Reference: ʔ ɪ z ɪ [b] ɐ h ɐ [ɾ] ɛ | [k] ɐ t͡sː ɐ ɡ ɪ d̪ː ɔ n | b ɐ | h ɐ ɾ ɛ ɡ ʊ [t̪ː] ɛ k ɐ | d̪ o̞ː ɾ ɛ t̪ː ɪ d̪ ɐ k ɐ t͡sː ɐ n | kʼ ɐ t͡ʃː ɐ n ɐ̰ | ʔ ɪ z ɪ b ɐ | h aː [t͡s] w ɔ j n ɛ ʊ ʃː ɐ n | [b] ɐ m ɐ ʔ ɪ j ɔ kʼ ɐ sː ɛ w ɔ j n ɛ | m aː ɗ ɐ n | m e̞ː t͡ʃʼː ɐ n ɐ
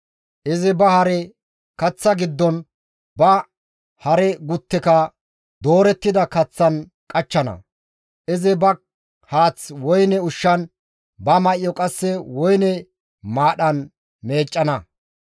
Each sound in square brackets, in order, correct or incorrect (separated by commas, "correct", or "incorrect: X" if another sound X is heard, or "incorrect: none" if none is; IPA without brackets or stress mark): correct, correct, correct, correct, correct, correct